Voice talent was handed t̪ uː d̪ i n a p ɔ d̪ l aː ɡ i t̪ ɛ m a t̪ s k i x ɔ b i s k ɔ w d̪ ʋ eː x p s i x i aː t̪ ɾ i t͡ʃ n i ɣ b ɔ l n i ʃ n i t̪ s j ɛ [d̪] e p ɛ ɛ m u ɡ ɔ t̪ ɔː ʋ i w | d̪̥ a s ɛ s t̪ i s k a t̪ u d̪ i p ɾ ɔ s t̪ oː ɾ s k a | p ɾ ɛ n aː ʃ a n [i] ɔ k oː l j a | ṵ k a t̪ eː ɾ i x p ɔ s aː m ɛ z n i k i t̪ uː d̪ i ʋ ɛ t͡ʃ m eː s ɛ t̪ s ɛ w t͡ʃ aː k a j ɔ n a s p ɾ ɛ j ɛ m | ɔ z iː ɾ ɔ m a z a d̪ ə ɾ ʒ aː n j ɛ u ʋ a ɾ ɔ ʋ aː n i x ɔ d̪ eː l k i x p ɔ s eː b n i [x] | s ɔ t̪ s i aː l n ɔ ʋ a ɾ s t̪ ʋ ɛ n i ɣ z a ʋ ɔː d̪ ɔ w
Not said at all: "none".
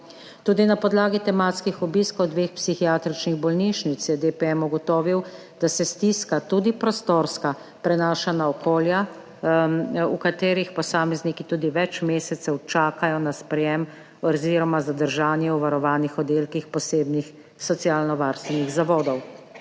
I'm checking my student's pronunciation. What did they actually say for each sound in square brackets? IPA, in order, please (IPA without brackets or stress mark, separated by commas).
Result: d̪, a, x